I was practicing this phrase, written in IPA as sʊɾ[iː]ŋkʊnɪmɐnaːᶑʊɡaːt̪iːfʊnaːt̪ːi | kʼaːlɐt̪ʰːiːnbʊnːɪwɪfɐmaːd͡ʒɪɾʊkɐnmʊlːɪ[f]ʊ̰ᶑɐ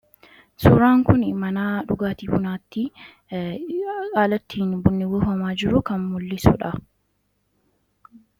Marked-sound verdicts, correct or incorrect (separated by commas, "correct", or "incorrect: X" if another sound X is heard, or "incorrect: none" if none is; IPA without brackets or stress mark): incorrect: aː, incorrect: s